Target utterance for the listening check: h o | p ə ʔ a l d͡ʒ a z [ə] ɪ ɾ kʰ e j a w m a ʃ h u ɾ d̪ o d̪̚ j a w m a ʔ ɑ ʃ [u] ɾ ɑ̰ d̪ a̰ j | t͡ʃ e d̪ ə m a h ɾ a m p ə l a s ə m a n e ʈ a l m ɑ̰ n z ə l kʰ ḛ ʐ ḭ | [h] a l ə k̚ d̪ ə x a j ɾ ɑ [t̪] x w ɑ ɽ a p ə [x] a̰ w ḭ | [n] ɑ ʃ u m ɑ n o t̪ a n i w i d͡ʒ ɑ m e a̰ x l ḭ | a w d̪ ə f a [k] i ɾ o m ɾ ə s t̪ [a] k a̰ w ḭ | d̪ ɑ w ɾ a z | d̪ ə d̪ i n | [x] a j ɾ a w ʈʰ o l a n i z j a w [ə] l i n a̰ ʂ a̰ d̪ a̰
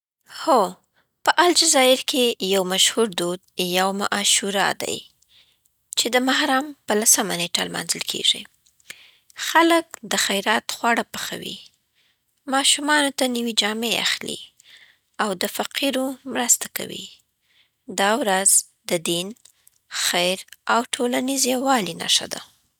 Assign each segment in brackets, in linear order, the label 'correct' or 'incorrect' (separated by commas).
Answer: incorrect, correct, incorrect, correct, correct, incorrect, incorrect, correct, correct, incorrect